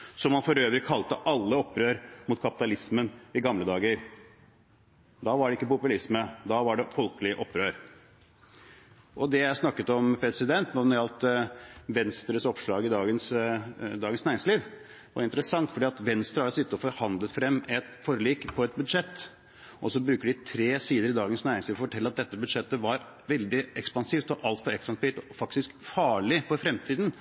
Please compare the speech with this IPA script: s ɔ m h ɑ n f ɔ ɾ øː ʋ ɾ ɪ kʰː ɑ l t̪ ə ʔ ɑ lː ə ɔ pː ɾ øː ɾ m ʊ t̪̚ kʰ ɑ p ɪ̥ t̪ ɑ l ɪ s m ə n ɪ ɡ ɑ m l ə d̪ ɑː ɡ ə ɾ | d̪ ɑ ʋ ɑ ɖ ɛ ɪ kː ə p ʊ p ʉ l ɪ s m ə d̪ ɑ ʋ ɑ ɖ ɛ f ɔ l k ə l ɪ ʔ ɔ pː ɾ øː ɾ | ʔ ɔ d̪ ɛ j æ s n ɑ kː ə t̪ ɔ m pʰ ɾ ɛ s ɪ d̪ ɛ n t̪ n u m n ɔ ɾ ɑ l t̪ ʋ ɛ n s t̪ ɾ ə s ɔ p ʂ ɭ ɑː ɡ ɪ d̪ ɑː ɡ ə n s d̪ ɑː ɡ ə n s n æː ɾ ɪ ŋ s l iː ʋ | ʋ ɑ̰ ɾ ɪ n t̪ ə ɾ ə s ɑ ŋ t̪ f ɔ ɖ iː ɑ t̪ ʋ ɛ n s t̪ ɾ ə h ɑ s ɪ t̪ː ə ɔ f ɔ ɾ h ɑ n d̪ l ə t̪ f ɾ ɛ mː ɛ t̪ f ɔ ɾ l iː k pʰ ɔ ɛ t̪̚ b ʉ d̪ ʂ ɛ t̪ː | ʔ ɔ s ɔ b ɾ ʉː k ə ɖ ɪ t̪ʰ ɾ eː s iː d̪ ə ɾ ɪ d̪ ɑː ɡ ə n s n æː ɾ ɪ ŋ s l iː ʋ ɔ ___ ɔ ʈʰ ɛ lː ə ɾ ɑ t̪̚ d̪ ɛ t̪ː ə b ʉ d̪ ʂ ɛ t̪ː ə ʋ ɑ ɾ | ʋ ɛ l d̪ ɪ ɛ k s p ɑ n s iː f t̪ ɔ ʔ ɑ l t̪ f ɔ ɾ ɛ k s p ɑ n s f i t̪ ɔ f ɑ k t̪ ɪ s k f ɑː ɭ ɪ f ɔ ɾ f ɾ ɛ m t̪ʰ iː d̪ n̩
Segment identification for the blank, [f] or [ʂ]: f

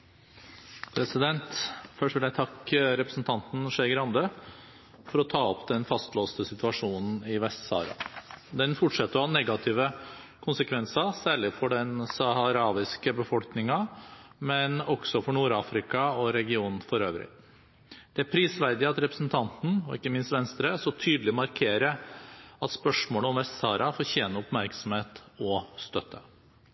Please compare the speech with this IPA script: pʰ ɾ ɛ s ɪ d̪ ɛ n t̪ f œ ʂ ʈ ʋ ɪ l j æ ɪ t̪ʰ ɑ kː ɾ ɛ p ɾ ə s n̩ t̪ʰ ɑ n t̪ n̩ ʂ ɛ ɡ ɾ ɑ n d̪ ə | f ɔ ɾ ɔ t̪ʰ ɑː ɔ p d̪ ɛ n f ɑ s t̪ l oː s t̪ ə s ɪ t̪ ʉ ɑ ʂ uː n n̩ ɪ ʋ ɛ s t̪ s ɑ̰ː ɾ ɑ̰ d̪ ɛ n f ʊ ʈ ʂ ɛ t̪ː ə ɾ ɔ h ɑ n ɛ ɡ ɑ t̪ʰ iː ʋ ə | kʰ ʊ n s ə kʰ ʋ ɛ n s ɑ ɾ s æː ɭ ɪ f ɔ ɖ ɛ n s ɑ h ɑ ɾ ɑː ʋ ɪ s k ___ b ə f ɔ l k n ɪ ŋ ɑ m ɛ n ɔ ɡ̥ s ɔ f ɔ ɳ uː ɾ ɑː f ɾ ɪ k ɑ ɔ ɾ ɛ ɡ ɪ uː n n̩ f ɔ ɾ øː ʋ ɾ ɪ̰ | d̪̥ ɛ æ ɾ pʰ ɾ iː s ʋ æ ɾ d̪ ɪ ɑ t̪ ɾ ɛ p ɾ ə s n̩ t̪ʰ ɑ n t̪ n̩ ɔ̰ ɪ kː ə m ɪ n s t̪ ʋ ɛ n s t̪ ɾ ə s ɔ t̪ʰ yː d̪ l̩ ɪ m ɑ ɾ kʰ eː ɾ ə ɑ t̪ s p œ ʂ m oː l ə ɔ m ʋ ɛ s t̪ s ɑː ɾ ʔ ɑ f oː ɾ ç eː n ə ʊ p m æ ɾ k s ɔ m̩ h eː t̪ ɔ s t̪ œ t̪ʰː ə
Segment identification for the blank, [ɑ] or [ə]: ə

